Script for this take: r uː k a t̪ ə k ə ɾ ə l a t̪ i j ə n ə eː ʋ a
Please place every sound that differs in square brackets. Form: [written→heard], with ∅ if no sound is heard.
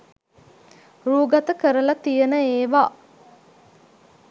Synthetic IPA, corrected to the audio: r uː [k→ɡ] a t̪ ə k ə ɾ ə l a t̪ i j ə n ə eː ʋ a